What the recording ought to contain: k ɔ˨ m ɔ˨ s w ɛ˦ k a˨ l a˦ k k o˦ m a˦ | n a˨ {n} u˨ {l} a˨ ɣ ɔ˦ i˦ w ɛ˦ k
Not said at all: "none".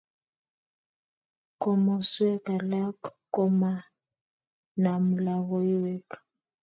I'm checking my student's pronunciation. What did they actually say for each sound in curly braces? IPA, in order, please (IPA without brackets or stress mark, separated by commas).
m, l